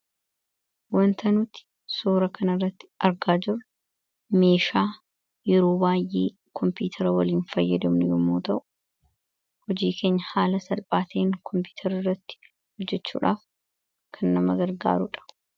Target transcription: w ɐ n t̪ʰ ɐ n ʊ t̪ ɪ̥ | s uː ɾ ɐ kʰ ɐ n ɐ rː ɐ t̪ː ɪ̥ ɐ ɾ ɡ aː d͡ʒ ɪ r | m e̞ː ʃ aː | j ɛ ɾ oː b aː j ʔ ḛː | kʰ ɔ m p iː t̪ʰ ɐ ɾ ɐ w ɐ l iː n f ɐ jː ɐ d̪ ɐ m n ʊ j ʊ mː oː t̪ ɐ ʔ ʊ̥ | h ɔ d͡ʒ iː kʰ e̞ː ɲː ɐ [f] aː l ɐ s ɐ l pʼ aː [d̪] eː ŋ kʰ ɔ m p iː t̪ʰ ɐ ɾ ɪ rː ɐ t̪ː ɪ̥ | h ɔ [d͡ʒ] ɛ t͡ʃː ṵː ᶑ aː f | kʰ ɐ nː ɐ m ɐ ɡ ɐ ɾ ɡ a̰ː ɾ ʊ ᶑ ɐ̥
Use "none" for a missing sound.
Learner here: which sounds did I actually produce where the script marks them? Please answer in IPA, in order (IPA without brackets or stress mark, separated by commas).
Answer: h, t̪, d͡ʒː